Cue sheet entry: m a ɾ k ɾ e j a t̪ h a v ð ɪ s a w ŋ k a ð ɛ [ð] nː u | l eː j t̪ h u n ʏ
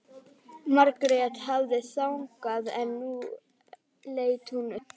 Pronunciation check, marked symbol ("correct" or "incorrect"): incorrect